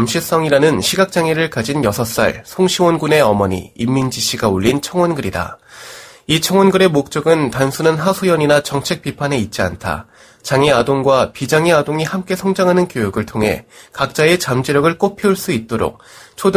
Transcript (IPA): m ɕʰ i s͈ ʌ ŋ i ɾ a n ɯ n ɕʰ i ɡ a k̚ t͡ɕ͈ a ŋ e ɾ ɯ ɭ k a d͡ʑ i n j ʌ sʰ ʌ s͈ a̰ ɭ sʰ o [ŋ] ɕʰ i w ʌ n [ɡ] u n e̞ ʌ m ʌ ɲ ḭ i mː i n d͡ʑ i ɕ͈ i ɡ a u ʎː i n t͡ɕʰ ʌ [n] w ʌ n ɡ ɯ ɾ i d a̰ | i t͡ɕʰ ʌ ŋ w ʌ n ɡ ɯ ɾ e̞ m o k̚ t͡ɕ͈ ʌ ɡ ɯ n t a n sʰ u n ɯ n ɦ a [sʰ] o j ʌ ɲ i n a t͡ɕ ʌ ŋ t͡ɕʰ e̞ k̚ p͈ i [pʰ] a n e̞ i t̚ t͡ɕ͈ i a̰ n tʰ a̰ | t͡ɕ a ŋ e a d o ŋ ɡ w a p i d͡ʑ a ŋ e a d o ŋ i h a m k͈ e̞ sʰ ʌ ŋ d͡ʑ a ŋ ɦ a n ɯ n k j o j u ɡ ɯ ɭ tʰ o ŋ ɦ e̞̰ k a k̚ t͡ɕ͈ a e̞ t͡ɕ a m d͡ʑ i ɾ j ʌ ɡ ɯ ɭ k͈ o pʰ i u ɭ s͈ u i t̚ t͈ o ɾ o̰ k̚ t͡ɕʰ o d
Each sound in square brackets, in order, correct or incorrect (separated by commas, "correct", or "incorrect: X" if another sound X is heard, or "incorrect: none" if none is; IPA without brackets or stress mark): correct, correct, incorrect: ŋ, correct, correct